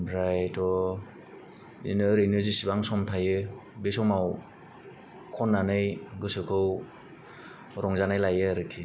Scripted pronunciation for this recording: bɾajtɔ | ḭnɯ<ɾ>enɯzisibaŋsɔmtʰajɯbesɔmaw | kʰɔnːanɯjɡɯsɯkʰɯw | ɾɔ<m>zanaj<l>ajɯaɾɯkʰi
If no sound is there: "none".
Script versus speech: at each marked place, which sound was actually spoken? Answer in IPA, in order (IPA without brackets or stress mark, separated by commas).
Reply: ɾ, ŋ, l